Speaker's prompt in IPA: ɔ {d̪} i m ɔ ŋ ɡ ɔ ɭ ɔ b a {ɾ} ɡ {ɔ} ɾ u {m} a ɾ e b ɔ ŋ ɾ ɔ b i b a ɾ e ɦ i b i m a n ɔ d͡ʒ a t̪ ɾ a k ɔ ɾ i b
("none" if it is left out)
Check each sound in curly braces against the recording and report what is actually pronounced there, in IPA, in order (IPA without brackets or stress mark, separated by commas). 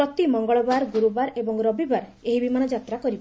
t̪, ɾ, u, b